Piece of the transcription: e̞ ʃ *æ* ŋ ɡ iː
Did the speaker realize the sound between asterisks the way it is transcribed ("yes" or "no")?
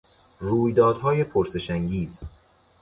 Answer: yes